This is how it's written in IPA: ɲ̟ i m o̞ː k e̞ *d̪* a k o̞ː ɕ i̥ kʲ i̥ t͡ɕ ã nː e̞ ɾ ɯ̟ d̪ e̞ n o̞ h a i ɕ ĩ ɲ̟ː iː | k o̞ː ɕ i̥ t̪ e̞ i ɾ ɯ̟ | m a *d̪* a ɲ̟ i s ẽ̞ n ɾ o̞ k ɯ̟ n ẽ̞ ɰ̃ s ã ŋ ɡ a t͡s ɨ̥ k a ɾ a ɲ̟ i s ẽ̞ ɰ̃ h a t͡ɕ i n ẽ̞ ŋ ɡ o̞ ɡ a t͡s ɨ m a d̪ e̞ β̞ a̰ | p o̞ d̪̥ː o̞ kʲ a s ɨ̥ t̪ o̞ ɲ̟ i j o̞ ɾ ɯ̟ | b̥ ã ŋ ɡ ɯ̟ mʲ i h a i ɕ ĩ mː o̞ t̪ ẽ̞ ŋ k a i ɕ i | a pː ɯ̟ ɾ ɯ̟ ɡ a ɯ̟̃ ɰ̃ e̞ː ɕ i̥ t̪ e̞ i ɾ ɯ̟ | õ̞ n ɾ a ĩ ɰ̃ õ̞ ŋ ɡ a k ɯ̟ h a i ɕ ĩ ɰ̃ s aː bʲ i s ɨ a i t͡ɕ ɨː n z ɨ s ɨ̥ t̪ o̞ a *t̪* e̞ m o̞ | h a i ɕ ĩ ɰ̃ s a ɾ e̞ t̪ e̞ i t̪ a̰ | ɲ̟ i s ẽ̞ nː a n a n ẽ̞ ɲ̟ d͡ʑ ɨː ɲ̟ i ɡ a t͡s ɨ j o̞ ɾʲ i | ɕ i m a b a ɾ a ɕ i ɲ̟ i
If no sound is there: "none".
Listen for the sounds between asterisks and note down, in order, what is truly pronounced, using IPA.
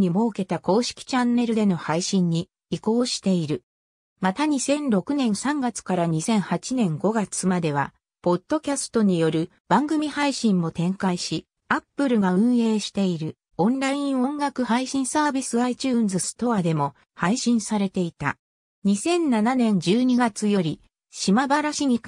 t̪, t̪, d̪

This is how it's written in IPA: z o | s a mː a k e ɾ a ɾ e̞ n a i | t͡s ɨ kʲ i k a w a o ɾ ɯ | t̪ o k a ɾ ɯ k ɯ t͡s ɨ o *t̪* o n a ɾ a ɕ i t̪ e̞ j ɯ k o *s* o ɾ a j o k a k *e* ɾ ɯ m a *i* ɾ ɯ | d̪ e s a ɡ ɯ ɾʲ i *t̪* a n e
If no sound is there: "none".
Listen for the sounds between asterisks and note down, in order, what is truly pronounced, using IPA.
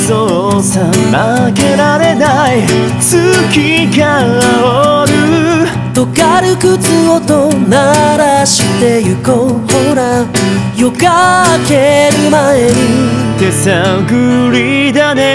t̪, h, e, e, d̪

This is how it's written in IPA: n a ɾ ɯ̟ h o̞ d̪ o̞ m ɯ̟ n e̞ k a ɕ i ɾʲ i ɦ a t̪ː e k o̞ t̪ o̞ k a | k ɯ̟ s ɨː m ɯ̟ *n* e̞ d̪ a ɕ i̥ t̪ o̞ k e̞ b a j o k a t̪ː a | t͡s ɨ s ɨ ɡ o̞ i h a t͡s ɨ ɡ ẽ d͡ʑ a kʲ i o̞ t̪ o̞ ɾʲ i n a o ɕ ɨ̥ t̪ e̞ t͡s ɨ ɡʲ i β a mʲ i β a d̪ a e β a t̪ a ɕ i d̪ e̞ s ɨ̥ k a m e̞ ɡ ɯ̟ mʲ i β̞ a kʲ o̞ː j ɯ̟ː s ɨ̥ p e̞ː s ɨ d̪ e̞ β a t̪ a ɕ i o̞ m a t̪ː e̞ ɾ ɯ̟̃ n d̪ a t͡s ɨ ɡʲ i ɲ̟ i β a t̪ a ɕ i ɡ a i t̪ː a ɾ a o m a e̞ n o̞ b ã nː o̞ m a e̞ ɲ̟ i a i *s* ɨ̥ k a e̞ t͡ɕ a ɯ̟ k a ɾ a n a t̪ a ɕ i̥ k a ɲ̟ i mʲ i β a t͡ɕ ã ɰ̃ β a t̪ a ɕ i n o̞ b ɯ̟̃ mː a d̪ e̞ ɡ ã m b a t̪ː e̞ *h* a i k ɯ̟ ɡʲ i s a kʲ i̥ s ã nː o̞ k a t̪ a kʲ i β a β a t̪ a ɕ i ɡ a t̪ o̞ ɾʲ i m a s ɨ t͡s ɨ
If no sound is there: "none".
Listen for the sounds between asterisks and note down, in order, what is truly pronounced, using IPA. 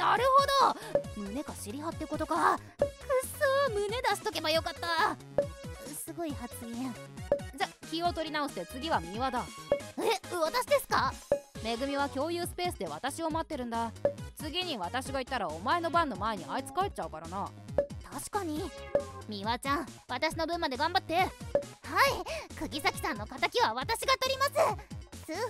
n, t͡s, h

